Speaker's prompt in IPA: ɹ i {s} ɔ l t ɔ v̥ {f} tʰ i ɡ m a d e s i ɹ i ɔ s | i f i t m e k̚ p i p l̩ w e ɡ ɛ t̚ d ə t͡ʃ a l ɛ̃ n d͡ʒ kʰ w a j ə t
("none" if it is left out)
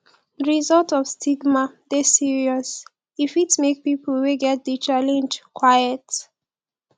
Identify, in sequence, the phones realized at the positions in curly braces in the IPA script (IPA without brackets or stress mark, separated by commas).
z, s